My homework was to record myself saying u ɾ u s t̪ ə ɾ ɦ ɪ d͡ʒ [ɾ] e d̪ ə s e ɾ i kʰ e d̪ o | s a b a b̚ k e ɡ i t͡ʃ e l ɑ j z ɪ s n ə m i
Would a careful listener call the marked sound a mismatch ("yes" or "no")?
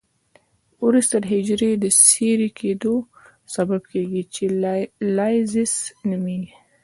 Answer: no